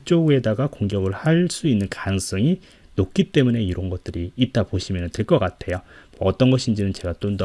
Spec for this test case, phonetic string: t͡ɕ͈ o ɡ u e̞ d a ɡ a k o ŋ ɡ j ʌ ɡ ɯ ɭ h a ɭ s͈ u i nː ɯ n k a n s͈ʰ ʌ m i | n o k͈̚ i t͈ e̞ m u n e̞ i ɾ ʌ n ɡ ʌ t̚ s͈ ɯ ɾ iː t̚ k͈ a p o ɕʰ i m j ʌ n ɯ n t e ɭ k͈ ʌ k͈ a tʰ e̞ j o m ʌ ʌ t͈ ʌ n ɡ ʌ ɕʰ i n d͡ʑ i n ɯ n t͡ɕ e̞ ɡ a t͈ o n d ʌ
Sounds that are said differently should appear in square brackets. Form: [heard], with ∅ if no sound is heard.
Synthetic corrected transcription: t͡ɕ͈ o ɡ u e̞ d a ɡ a k o ŋ ɡ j ʌ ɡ ɯ ɭ h a ɭ s͈ u i nː ɯ n k a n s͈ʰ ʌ [ŋ] i | n o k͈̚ i t͈ e̞ m u n e̞ i ɾ ʌ n ɡ ʌ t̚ [t͈] ɯ ɾ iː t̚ [t͈] a p o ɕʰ i m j ʌ n ɯ n t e ɭ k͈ ʌ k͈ a tʰ e̞ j o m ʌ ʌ t͈ ʌ n ɡ ʌ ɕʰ i n d͡ʑ i n ɯ n t͡ɕ e̞ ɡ a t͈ o n d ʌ